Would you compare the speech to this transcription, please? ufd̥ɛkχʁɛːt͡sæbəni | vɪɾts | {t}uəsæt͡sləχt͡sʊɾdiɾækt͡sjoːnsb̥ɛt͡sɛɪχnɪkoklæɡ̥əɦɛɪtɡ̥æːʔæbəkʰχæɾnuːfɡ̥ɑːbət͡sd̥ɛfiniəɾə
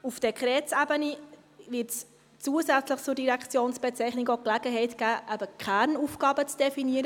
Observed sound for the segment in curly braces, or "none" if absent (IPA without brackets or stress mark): t͡s